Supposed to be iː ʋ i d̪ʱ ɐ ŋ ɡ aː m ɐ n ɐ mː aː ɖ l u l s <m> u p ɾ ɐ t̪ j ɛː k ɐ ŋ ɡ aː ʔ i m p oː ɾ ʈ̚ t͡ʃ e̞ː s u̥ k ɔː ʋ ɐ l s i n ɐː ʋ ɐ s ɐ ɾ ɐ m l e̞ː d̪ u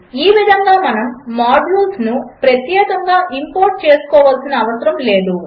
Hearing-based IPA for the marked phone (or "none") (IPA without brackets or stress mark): n